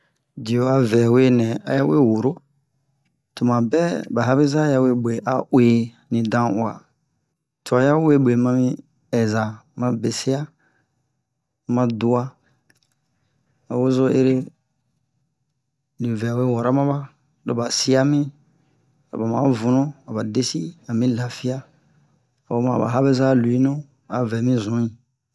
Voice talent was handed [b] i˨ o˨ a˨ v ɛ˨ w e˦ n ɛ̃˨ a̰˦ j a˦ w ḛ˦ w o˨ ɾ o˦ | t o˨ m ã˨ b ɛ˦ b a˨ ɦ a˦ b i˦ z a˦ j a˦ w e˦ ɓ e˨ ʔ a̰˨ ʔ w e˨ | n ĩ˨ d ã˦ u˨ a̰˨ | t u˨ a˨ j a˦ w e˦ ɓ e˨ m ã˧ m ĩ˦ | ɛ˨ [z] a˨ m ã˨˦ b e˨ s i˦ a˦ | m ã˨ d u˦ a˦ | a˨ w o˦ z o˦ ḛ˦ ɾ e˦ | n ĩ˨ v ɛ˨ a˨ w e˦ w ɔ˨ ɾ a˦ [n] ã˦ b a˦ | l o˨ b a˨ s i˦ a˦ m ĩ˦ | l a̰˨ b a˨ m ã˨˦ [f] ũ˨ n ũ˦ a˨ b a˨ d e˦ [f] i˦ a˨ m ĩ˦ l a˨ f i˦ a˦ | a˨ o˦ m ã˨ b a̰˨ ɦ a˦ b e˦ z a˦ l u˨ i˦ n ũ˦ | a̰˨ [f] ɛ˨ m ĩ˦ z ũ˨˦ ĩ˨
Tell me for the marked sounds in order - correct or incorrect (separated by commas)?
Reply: incorrect, correct, incorrect, incorrect, incorrect, incorrect